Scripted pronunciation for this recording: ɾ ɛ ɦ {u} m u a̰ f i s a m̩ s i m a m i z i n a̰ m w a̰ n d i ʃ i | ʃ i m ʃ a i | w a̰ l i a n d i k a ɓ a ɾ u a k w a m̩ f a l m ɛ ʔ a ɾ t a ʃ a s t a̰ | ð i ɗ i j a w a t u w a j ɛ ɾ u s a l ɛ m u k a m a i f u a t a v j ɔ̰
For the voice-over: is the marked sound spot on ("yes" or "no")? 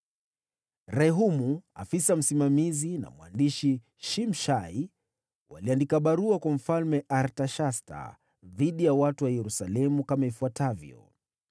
yes